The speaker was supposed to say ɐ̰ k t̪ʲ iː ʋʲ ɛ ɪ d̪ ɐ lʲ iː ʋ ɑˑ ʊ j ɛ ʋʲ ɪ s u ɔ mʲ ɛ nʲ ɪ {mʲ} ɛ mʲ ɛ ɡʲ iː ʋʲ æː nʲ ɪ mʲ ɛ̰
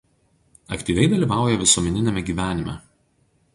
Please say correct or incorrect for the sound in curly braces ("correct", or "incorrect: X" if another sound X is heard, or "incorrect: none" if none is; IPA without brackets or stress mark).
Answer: incorrect: nʲ